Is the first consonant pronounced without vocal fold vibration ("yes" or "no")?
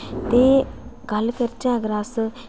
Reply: yes